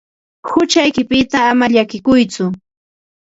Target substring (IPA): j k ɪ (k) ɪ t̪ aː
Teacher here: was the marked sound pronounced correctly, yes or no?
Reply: no